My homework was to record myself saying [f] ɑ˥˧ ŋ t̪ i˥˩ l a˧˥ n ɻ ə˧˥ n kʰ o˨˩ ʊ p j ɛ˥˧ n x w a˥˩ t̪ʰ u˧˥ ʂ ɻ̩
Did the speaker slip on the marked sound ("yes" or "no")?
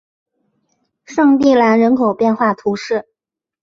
yes